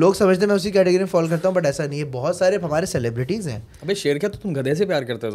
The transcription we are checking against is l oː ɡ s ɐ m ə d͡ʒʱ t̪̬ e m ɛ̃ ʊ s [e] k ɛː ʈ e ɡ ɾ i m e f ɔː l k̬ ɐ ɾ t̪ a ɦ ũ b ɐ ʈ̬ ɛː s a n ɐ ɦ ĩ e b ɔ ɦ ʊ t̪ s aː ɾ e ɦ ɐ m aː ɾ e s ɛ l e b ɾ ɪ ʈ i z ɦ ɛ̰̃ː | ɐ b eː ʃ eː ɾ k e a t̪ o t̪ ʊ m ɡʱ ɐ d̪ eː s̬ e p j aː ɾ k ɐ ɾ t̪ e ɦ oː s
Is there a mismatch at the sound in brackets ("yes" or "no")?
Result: yes